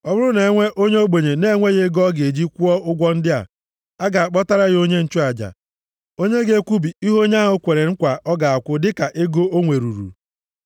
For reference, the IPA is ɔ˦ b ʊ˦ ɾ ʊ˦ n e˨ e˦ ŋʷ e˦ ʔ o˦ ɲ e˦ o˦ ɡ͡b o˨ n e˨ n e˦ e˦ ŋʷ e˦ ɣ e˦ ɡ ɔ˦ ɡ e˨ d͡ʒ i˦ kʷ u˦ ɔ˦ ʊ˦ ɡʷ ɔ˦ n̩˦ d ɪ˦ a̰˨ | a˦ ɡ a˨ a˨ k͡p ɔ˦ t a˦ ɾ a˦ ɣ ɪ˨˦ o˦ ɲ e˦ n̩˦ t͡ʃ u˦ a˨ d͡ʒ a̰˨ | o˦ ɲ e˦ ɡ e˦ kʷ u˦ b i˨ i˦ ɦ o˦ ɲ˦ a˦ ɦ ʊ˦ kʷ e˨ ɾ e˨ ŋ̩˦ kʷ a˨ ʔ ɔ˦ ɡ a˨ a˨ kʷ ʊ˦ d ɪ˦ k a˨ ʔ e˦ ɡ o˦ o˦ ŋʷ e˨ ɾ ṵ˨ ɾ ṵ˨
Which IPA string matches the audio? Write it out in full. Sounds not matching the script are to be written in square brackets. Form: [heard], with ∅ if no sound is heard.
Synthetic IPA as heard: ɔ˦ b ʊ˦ ɾ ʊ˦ n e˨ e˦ ŋʷ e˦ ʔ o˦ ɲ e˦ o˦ ɡ͡b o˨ [ɲ] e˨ n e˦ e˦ ŋʷ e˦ ɣ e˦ ɡ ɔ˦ ɡ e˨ d͡ʒ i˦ kʷ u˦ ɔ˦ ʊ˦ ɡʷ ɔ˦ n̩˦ d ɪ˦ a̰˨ | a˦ ɡ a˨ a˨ k͡p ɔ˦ t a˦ ɾ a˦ ɣ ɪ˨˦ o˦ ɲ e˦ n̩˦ t͡ʃ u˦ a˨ d͡ʒ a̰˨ | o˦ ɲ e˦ ɡ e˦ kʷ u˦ b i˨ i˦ ɦ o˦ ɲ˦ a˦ ɦ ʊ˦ kʷ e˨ ɾ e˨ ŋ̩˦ kʷ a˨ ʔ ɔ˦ ɡ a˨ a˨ kʷ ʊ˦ d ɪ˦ k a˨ ʔ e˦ ɡ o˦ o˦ ŋʷ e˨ ɾ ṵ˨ ɾ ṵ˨